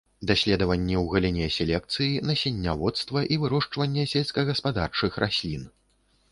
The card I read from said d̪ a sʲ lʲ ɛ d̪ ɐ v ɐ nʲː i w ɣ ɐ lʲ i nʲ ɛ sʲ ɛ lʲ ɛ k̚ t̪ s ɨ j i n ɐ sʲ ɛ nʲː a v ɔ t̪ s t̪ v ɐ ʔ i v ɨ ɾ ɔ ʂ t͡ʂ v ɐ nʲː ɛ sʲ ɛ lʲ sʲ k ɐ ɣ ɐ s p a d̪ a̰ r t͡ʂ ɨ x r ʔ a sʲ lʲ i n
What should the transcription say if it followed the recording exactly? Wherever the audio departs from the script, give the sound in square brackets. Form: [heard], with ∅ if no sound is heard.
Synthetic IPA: d̪ a sʲ lʲ ɛ d̪ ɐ v ɐ nʲː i w ɣ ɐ lʲ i nʲ ɛ sʲ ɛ lʲ ɛ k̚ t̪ s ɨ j i n ɐ sʲ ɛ nʲː a v ɔ t̪ s t̪ v ɐ ʔ i v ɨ ɾ ɔ ʂ t͡ʂ v ɐ nʲː ɛ sʲ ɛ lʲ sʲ k ɐ ɣ ɐ s p a d̪ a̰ r t͡ʂ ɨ x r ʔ a sʲ lʲ i n